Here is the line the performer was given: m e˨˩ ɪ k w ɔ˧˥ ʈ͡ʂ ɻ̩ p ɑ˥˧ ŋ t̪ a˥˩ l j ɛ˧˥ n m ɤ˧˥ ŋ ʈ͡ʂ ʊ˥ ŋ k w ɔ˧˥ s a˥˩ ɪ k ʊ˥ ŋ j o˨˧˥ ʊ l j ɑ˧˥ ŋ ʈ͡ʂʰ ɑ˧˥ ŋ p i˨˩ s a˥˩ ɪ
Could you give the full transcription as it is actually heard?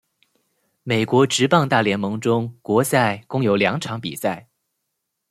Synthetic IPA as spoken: m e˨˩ ɪ k w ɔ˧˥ ʈ͡ʂ ɻ̩ p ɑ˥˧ ŋ t̪ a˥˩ l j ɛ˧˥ n m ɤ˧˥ ŋ ʈ͡ʂ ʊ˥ ŋ k w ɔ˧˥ s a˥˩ ɪ k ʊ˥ ŋ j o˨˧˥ ʊ l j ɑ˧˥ ŋ ʈ͡ʂʰ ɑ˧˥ ŋ p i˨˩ s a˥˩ ɪ

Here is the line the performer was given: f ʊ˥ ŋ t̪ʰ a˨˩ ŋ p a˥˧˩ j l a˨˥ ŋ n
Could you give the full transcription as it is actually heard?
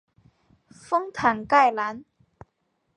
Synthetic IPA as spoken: f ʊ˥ ŋ t̪ʰ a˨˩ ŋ k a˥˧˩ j l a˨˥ n

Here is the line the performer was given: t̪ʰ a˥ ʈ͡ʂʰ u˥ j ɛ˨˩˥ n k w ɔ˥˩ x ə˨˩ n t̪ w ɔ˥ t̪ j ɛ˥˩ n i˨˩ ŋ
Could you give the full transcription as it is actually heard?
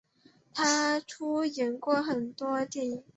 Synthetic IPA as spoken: t̪ʰ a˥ ʈ͡ʂʰ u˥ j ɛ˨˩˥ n k w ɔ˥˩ x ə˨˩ n t̪ w ɔ˥ t̪ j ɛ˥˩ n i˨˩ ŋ

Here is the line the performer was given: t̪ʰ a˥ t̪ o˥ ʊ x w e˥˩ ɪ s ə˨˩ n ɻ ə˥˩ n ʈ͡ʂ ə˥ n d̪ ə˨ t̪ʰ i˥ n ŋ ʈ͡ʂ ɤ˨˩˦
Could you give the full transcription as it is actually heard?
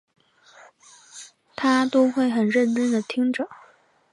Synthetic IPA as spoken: t̪ʰ a˥ t̪ o˥ ʊ x w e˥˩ ɪ x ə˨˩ n ɻ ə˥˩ n ʈ͡ʂ ə˥ n d̪ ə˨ t̪ʰ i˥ ŋ ʈ͡ʂ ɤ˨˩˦

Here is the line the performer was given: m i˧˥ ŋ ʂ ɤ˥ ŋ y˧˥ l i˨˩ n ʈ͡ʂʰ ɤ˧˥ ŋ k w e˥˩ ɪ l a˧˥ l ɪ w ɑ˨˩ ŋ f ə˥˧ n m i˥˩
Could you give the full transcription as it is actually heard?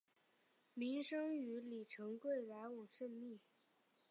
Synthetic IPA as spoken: m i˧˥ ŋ ʂ ɤ˥ ŋ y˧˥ l i˨˩ ʈ͡ʂʰ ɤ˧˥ ŋ k w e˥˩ ɪ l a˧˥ ɪ w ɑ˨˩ ŋ ʂ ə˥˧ n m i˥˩

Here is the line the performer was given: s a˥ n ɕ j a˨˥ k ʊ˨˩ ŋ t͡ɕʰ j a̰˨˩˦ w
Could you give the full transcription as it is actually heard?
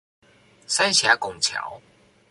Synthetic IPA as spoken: s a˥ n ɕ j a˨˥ k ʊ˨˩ ŋ t͡ɕʰ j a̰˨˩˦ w

